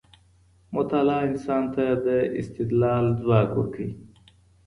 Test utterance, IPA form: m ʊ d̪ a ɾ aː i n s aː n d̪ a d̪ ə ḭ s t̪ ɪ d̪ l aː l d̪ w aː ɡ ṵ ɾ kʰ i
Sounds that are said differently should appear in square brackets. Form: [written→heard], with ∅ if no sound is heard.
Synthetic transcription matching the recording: m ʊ [d̪→t̪] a [ɾ→l] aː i n s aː n [d̪→t̪] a d̪ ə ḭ s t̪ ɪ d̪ l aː l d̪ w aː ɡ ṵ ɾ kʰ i